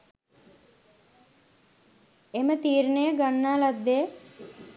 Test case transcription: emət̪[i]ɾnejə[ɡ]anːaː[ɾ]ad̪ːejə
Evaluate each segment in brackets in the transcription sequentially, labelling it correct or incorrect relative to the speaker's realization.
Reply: incorrect, correct, incorrect

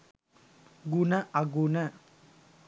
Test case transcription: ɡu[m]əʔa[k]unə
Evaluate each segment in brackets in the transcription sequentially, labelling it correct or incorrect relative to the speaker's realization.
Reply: incorrect, incorrect

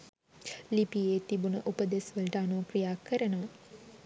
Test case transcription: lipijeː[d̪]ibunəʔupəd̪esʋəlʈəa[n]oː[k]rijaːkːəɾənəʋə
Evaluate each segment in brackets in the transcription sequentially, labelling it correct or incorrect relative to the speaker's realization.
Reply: incorrect, correct, correct

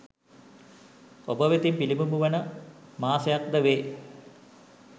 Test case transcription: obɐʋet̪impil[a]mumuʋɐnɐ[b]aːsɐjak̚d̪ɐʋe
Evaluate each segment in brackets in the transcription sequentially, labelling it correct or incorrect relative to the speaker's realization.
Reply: incorrect, incorrect

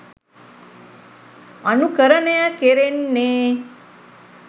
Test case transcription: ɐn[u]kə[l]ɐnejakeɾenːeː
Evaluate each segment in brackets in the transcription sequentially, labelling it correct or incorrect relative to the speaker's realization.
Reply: correct, incorrect

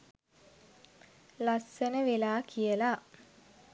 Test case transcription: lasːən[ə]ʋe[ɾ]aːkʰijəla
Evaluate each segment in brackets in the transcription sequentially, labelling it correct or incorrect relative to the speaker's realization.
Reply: correct, incorrect

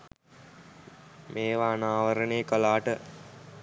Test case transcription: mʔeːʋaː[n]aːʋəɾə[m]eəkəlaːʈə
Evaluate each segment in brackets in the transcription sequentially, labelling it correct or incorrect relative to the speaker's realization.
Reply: correct, incorrect

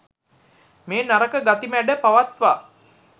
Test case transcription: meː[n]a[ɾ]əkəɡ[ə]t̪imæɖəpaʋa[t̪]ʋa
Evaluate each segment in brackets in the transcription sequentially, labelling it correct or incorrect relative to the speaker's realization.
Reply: correct, correct, incorrect, correct

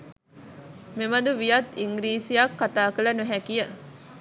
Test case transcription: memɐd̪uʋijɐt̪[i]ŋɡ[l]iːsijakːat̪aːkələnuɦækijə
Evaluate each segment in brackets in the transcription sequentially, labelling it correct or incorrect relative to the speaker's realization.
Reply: correct, incorrect

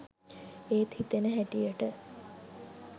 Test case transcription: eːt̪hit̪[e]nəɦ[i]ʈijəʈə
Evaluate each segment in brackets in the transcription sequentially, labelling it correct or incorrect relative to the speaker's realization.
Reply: correct, incorrect

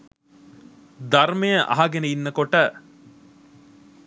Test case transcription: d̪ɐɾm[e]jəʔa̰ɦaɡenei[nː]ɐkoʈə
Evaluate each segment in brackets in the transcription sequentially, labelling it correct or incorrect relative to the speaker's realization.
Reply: correct, correct

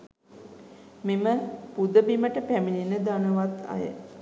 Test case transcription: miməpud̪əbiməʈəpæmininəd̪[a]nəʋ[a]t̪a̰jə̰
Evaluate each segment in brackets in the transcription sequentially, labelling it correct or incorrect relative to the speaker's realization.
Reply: correct, correct

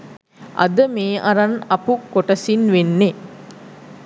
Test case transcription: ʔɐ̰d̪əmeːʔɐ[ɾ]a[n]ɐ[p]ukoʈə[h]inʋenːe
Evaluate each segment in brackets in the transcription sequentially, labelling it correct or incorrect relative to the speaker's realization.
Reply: correct, correct, correct, incorrect

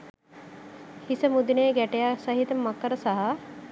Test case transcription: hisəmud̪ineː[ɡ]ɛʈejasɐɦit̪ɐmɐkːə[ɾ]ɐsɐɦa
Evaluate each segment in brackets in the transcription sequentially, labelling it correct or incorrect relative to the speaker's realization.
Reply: correct, correct

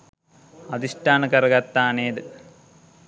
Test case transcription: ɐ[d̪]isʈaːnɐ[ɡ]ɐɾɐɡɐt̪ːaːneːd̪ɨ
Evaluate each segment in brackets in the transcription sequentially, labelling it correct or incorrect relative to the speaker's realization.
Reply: correct, incorrect

